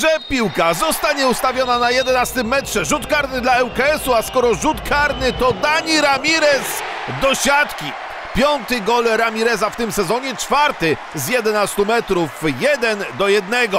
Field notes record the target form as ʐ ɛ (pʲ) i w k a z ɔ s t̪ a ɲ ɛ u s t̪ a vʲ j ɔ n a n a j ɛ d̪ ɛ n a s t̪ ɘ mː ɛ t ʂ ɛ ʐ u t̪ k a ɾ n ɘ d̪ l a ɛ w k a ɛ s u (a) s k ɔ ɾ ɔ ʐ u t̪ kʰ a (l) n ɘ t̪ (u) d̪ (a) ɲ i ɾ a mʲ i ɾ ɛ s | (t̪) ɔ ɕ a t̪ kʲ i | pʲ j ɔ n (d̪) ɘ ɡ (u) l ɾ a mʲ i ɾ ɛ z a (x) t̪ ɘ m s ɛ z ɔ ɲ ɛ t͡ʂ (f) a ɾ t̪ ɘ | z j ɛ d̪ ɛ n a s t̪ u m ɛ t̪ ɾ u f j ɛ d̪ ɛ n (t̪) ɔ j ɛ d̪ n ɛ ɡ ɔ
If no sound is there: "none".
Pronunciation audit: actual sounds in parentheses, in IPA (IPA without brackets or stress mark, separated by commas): pʲ, a, ɾ, ɔ, a, d̪, t̪, ɔ, f, f, d̪